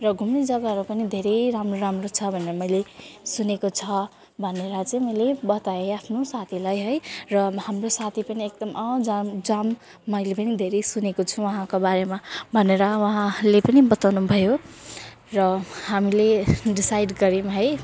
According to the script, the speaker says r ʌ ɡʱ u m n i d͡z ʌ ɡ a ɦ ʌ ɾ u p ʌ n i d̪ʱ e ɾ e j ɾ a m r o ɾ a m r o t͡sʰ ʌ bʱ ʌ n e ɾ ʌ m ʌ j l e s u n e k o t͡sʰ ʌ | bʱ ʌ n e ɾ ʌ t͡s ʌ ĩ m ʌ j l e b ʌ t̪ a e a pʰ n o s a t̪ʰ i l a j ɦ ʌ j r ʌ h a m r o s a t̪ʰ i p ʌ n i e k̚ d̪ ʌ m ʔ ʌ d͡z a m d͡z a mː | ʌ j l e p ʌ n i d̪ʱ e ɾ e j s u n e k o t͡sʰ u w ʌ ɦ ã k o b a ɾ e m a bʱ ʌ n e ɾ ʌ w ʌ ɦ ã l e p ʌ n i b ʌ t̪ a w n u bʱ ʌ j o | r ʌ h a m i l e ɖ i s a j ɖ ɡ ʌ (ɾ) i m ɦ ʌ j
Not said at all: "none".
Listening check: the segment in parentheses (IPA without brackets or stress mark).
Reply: ɾ